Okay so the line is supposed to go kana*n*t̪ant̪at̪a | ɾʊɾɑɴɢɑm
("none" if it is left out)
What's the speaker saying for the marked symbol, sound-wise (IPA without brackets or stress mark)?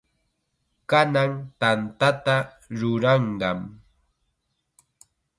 ŋ